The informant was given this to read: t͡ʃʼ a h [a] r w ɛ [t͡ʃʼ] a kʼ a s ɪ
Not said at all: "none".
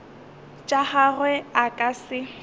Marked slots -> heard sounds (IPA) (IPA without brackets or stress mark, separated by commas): a, none